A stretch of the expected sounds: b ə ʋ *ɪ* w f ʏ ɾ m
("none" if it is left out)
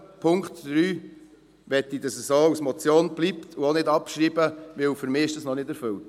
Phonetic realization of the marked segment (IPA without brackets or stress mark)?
ɪ